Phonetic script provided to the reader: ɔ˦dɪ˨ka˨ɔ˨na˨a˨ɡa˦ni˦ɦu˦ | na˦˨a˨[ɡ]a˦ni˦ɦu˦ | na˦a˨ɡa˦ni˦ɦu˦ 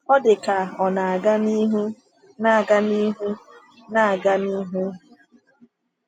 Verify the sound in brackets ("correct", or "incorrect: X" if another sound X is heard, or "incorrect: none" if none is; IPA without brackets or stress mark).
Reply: correct